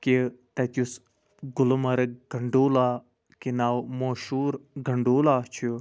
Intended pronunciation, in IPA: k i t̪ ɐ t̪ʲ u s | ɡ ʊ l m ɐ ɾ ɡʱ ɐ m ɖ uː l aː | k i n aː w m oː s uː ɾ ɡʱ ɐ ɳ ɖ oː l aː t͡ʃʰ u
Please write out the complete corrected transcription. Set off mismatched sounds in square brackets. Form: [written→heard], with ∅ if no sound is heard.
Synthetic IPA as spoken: k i t̪ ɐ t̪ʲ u s | ɡ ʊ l m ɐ ɾ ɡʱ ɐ [m→ɳ] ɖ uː l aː | k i n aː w m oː [s→ʃ] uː ɾ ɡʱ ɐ ɳ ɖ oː l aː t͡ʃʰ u